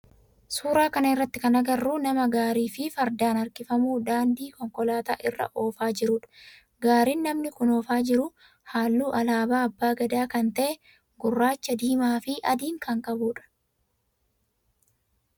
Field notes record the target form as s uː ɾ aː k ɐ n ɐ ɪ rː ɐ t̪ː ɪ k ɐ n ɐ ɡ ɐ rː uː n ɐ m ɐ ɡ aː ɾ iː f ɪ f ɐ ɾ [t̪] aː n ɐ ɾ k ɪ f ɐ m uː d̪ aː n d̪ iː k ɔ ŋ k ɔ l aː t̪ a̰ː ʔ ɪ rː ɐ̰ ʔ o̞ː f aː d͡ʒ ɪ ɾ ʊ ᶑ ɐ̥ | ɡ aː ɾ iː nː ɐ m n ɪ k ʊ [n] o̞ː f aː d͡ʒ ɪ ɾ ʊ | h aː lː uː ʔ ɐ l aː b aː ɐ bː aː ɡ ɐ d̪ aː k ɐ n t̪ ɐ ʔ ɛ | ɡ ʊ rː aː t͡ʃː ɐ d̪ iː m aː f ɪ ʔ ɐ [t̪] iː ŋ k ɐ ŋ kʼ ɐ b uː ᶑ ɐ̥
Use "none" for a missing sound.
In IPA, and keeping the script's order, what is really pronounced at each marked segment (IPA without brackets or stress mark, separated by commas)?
d̪, n, d̪